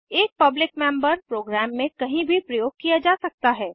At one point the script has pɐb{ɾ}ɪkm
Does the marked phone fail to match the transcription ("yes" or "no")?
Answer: yes